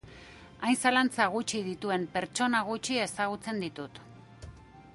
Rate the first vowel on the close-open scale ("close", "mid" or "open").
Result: open